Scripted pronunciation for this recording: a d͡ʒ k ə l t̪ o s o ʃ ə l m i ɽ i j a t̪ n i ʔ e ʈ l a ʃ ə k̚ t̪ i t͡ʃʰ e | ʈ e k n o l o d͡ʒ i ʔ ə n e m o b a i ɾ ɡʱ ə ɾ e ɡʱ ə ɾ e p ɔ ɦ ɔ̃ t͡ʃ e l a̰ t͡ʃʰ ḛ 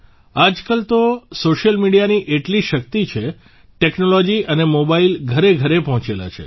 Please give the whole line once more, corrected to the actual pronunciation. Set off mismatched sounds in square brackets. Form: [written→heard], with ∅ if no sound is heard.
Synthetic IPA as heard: a d͡ʒ k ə l t̪ o s o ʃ ə l m i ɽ i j a [t̪→∅] n i ʔ e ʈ l [a→i] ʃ ə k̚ t̪ i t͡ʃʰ e | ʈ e k n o l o d͡ʒ i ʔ ə n e m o b a i [ɾ→l] ɡʱ ə ɾ e ɡʱ ə ɾ e p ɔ ɦ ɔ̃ t͡ʃ e l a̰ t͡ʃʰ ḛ